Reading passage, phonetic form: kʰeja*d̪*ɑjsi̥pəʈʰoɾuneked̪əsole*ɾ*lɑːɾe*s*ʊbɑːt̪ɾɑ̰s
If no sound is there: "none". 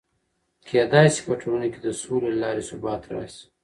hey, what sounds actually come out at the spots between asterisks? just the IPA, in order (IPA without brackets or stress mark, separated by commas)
d̪, none, s